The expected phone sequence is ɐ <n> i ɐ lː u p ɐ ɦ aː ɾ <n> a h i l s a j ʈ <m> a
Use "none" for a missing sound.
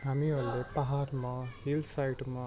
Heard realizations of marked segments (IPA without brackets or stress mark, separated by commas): m, m, m